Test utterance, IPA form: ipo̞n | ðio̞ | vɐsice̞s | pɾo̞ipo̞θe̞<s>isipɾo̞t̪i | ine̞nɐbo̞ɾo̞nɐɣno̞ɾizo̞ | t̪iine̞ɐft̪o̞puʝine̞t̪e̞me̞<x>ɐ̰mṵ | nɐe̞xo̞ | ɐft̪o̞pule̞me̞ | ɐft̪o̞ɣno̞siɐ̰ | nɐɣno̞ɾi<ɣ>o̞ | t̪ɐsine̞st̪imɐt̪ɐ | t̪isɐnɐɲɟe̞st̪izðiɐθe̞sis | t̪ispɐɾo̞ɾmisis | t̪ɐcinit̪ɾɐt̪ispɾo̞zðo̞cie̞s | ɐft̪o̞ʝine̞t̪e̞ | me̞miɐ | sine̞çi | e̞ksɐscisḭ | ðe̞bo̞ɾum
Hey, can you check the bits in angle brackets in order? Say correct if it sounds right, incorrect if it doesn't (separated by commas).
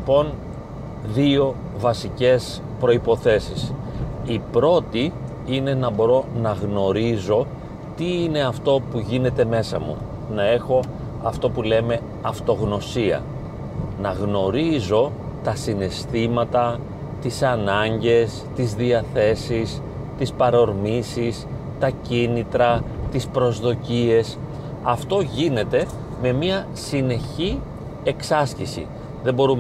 correct, incorrect, incorrect